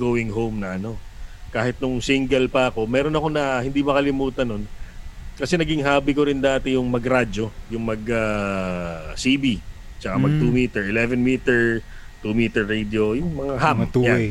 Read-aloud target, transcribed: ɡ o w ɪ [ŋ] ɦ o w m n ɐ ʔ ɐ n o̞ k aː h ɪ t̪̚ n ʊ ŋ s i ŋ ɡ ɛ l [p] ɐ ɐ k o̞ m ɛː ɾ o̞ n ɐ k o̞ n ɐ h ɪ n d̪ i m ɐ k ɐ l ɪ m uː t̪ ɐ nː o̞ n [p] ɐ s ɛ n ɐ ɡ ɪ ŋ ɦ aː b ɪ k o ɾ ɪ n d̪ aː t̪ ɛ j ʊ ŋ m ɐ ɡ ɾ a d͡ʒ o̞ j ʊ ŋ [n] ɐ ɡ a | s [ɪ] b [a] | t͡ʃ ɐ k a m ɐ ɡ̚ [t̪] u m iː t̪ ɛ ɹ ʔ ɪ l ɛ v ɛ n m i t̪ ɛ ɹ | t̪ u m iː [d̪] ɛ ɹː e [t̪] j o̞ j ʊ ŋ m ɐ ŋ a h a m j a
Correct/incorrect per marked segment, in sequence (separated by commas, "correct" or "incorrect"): correct, correct, incorrect, incorrect, incorrect, incorrect, correct, incorrect, incorrect